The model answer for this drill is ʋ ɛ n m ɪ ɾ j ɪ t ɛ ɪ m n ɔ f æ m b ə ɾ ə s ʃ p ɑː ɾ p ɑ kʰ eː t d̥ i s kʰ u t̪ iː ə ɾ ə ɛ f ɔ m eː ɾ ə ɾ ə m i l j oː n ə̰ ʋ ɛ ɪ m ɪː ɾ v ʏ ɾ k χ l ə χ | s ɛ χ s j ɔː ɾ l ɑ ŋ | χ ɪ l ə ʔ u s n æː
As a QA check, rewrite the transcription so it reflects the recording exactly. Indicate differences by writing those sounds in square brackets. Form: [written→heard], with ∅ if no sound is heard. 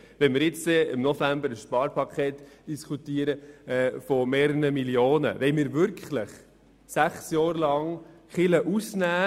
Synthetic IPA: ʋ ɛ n m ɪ ɾ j ɪ [t→t͡s] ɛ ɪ m n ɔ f æ m b ə ɾ ə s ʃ p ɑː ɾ p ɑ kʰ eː t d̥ i s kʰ u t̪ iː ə ɾ ə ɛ f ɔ m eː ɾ ə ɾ ə m i l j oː n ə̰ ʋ ɛ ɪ m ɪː ɾ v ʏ ɾ k χ l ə χ | s [ɛ→æ] χ s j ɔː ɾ l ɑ ŋ | χ ɪ l ə ʔ u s n æː